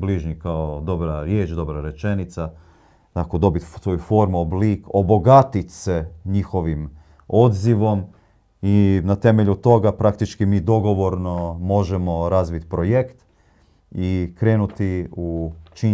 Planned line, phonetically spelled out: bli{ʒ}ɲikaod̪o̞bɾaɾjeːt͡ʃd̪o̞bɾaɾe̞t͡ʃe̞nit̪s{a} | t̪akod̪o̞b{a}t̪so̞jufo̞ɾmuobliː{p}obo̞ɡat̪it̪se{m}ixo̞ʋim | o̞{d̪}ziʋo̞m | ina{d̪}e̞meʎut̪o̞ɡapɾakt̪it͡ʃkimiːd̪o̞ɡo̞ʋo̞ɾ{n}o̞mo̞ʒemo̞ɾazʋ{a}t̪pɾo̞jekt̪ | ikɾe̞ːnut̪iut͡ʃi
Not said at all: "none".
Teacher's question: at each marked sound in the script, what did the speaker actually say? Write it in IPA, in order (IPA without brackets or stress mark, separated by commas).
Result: ʒ, a, i, k, ɲ, d̪, t̪, n, i